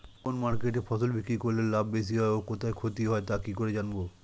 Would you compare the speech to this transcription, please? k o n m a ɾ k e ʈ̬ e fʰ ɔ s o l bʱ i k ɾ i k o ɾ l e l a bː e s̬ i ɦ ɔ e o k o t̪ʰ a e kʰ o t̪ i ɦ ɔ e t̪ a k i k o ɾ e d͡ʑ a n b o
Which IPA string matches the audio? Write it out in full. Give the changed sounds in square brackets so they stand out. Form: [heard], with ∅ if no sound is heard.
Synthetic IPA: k o n m a ɾ k e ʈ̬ e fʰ ɔ s o l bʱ i k ɾ i k o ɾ l e l a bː e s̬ i ɦ ɔ e o k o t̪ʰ a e kʰ o t̪ i ɦ ɔ e t̪ a k i k o ɾ e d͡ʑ a n b o